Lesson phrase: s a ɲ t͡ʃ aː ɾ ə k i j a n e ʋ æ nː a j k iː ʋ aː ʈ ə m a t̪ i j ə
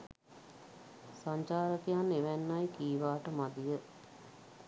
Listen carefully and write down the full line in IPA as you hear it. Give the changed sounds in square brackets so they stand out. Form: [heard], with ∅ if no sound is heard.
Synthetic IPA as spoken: s a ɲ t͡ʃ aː ɾ ə k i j a n e ʋ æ nː a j k iː ʋ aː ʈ ə m a [d̪] i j ə